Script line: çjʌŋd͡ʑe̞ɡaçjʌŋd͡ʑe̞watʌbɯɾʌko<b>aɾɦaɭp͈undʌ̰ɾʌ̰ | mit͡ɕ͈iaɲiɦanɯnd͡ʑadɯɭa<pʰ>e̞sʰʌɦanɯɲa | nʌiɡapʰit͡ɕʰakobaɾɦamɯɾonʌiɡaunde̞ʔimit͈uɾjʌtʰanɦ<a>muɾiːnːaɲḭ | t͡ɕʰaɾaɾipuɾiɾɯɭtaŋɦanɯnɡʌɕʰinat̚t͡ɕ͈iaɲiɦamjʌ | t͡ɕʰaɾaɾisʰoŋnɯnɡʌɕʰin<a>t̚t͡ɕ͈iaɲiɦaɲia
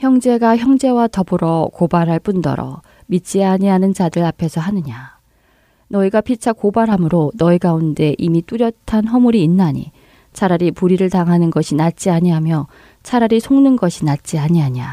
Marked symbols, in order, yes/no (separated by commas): yes, yes, no, yes